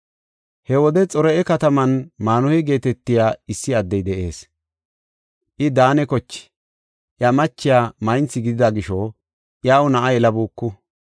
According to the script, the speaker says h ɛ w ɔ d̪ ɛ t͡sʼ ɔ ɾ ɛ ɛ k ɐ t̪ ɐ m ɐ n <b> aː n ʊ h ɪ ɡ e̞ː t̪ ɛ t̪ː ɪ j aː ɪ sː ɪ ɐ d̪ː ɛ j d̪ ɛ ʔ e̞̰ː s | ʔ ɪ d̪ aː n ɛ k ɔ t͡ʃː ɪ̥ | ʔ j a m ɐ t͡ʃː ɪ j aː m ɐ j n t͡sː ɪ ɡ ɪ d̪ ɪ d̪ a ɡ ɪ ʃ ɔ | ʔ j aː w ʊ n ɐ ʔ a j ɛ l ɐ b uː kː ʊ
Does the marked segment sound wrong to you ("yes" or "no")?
yes